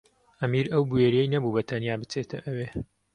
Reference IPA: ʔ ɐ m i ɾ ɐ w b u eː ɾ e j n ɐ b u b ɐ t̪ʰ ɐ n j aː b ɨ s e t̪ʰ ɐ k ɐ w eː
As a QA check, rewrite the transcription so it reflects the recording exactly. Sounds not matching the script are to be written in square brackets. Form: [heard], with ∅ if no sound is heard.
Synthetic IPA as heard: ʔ ɐ m i ɾ ɐ w b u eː ɾ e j n ɐ b u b ɐ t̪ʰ ɐ n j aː b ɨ [t͡s] e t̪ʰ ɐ [ʔ] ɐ w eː